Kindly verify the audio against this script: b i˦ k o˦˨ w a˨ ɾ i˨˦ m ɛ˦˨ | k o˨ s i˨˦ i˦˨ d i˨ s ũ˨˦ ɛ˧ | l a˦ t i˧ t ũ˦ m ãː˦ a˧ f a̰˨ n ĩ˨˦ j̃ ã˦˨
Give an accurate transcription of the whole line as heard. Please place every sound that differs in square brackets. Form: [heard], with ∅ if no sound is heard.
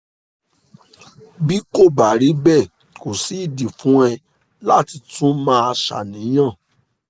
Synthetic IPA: b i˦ k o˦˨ [b] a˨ ɾ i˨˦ [b] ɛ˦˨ | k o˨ s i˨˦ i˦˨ d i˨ [f] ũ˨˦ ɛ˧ | l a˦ t i˧ t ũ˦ m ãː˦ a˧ [ʃ] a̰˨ n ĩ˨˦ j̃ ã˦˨